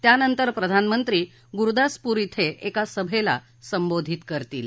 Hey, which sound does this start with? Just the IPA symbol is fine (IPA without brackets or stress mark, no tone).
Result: t̪